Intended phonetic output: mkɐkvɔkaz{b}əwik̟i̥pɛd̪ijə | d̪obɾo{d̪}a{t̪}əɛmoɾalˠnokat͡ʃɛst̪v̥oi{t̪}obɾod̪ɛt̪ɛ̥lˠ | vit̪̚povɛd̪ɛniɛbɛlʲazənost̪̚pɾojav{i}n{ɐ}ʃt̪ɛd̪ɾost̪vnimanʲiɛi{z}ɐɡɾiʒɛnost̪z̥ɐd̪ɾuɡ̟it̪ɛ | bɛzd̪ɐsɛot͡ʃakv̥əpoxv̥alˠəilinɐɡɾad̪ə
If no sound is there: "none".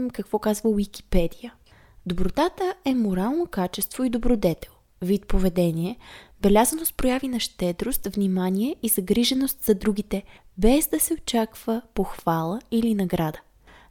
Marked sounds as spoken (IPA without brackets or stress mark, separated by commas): v, t̪, t̪, d̪, i, ɐ, z